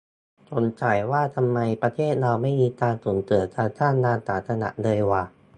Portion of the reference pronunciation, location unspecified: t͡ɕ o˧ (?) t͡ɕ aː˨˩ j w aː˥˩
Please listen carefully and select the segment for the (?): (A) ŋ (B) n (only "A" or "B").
B